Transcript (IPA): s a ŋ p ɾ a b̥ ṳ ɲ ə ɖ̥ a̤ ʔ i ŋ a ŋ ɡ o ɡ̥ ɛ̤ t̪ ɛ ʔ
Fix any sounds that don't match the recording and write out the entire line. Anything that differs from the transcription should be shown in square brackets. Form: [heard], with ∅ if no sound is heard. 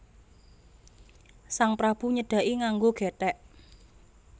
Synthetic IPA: s a ŋ p ɾ a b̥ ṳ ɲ ə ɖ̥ a̤ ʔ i ŋ a ŋ ɡ o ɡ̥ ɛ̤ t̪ ɛ ʔ